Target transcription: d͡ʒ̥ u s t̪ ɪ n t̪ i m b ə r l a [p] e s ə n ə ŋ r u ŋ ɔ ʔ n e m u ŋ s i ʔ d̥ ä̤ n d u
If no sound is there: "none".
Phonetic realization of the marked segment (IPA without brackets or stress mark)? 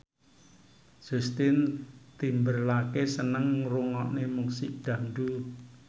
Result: k